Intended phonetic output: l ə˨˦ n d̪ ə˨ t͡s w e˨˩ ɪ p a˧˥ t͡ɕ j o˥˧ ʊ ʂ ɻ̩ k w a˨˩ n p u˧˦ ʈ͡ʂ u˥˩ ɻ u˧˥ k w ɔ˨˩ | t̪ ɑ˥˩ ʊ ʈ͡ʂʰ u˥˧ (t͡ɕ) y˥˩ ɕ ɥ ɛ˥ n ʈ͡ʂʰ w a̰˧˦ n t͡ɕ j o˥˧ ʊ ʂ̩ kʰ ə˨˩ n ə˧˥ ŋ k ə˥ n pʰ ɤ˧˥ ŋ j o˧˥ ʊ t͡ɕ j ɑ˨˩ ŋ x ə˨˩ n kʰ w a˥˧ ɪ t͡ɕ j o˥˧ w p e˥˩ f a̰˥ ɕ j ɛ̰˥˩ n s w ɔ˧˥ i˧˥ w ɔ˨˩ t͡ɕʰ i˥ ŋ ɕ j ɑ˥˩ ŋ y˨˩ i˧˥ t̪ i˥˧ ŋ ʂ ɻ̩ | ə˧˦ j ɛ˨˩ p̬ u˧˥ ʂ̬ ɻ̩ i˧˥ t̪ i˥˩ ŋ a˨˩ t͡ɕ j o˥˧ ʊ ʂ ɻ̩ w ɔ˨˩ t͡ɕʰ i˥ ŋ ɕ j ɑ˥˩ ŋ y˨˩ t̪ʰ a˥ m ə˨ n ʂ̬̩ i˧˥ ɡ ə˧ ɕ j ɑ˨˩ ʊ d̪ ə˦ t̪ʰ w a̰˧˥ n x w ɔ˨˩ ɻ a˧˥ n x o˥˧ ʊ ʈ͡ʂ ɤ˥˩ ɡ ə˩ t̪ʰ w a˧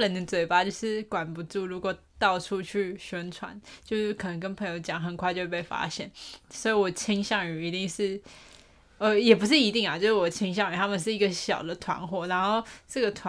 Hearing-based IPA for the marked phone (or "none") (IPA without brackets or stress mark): t͡ɕʰ